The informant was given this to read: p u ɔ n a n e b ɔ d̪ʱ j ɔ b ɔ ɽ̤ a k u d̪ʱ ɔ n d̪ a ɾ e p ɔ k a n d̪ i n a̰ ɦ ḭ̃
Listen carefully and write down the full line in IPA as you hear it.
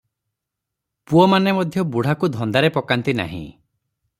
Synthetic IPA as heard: p u ɔ m a n e m ɔ d̪ʱ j ɔ b u ɽ̤ a k u d̪ʱ ɔ n d̪ a ɾ e p ɔ k a n t̪ i n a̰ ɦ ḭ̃